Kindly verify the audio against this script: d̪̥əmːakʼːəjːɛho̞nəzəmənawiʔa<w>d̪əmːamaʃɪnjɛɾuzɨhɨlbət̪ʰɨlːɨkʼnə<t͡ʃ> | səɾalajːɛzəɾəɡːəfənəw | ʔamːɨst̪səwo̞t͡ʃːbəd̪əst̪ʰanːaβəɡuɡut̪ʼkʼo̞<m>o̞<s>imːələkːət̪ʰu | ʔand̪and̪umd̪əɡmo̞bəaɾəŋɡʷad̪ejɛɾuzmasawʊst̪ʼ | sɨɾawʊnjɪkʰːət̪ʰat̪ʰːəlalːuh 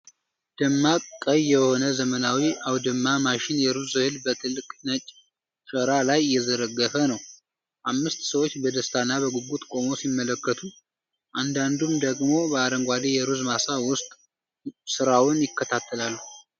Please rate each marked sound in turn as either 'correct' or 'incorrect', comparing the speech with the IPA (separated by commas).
correct, incorrect, correct, correct